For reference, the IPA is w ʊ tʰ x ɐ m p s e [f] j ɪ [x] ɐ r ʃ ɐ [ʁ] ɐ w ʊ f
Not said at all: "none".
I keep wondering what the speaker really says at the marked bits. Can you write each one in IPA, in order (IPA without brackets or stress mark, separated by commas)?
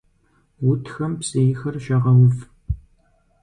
none, x, ʁ